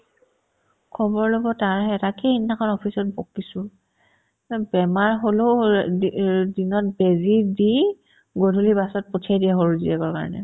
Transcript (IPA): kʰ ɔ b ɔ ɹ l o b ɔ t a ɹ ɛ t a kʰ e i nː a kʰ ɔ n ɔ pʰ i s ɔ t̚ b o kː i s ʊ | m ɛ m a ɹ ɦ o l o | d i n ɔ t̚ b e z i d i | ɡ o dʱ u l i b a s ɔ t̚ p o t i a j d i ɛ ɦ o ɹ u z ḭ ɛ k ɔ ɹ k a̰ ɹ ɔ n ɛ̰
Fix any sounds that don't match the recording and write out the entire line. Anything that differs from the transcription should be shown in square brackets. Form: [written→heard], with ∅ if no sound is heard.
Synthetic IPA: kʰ ɔ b ɔ ɹ l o b ɔ t a ɹ ɛ t a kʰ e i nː a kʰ ɔ n ɔ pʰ i s ɔ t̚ b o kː i s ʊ | [m→b] ɛ m a ɹ ɦ o l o | d i n ɔ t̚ b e z i d i | ɡ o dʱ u l i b a s ɔ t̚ p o [t→tʰ] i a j d i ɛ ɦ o ɹ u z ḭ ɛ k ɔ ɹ k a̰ ɹ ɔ n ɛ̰